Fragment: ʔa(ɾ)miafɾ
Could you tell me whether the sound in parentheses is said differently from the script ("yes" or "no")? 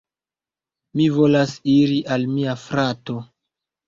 yes